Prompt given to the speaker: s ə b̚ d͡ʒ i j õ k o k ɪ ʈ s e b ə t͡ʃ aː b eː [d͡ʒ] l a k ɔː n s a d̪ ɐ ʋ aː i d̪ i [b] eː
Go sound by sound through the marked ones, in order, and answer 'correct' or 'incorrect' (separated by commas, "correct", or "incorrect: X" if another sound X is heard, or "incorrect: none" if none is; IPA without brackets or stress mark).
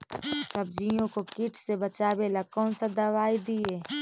incorrect: none, incorrect: none